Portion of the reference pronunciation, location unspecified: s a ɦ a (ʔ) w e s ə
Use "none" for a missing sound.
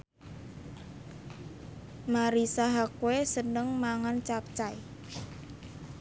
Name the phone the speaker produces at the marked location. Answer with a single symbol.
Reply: k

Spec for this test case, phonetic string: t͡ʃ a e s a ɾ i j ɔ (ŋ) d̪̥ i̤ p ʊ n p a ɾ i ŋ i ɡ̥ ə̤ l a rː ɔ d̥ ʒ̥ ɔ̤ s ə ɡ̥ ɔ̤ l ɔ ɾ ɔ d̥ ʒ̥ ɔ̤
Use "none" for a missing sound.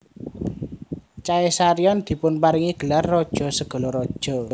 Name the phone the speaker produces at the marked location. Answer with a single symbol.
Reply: n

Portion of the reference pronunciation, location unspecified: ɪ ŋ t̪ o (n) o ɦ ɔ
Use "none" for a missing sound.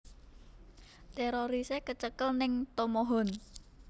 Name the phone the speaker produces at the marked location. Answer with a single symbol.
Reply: m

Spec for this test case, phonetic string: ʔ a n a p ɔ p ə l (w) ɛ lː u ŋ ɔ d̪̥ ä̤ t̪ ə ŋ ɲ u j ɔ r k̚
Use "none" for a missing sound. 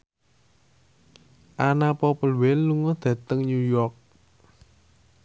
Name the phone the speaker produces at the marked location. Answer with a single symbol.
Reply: w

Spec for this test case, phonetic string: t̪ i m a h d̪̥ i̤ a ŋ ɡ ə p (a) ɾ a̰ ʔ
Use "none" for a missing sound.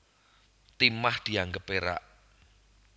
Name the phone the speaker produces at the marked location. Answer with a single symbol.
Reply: e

